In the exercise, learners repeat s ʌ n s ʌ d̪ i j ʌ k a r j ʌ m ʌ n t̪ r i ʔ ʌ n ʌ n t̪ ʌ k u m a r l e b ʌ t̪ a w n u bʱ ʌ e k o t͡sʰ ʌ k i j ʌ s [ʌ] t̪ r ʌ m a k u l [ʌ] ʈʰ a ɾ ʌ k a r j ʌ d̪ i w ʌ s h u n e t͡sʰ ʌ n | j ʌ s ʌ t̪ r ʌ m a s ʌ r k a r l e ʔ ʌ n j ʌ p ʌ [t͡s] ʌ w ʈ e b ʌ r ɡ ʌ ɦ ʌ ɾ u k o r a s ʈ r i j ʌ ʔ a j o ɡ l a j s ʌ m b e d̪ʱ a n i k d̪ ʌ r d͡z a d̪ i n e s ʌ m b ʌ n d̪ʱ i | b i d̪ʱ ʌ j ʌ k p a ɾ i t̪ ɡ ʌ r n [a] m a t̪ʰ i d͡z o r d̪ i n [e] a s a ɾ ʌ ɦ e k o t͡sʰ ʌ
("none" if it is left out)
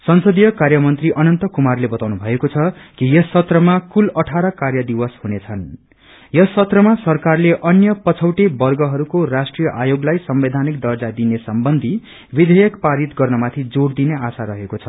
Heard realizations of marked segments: ʌ, ʌ, t͡sʰ, ʌ, e

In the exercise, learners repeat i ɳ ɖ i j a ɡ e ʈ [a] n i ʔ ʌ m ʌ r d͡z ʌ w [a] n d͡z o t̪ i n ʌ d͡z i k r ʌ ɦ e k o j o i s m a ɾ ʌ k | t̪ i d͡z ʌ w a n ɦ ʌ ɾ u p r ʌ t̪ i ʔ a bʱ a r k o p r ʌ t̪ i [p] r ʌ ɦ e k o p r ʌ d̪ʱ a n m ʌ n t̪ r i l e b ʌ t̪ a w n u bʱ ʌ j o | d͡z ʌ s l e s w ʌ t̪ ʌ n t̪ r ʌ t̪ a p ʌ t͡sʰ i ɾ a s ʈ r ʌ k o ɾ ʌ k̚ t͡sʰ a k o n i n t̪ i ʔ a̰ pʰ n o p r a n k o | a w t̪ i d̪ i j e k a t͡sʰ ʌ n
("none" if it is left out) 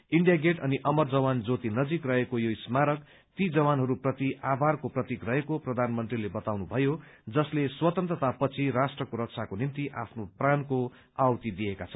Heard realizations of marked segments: ʌ, a, k

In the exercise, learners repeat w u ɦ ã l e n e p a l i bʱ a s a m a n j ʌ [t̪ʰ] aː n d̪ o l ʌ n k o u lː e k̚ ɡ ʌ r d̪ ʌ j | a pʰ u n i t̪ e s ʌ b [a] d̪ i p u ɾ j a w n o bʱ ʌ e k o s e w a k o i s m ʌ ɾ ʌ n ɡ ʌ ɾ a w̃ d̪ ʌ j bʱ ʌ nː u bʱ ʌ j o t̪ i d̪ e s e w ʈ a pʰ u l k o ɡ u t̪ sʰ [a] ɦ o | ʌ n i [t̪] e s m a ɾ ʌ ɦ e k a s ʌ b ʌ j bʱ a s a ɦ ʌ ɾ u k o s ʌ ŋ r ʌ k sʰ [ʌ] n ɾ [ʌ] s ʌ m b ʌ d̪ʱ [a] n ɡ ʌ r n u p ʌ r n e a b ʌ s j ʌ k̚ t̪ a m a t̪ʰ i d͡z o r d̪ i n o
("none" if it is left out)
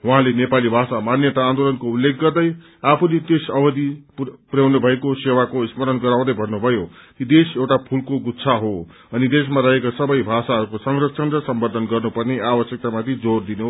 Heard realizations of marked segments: t̪, ʌ, a, d̪, ʌ, ʌ, ʌ

